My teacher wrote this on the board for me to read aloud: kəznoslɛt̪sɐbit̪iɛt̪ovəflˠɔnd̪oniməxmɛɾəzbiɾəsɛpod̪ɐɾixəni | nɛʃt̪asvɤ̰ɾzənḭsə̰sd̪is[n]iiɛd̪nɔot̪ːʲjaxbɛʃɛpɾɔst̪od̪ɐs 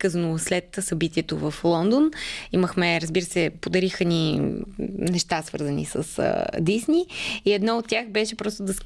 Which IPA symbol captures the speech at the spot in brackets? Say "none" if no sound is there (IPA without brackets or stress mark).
n